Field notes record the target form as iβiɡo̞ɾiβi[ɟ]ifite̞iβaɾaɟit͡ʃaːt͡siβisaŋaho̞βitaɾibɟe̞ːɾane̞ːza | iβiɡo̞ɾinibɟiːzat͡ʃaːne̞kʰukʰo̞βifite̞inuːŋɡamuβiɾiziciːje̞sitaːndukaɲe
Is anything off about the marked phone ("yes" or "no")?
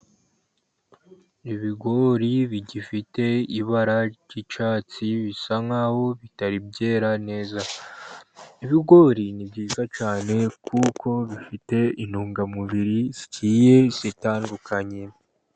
no